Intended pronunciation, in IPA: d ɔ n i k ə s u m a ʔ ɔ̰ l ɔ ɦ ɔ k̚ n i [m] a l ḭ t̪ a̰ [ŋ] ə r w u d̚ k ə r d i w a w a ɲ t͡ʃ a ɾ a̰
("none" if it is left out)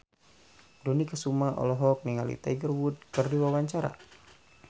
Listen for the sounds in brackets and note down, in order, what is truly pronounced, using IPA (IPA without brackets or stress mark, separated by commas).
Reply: ŋ, ɡ